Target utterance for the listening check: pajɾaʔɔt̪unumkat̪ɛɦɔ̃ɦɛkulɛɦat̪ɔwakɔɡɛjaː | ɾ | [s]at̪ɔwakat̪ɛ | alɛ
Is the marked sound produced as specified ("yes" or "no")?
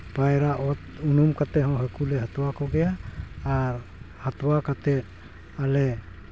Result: no